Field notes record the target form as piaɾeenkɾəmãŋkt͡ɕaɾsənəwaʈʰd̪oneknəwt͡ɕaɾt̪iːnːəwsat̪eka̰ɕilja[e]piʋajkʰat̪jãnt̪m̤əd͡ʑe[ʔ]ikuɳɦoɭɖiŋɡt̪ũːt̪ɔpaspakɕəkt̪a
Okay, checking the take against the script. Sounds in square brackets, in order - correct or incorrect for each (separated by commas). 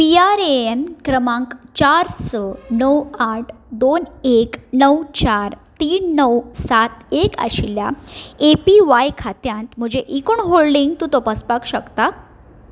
correct, correct